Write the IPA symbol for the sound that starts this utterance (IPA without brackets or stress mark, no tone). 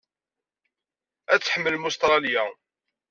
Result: æ